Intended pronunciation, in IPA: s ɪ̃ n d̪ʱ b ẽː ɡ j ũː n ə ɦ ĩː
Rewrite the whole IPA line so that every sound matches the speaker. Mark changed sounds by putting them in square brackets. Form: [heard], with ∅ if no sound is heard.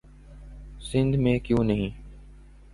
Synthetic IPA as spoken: s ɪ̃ n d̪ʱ [m] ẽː [k] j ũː n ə ɦ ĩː